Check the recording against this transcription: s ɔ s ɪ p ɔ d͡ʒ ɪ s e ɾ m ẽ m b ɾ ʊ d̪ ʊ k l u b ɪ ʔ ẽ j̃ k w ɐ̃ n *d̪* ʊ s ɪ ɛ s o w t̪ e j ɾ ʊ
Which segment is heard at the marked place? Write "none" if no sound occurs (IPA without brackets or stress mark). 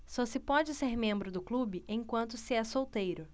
t̪